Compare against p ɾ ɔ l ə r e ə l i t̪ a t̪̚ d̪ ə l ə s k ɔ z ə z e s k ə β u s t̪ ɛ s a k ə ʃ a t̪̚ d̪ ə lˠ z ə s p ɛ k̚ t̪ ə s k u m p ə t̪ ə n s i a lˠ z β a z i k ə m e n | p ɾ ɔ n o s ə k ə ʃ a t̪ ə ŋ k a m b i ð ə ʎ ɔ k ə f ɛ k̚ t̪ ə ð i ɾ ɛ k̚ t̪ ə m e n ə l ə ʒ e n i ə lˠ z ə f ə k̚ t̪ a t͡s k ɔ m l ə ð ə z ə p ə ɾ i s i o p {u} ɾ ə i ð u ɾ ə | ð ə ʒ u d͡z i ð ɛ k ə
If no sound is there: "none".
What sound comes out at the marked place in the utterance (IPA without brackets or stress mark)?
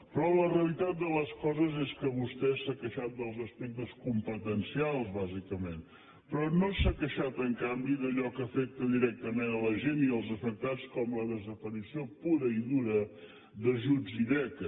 u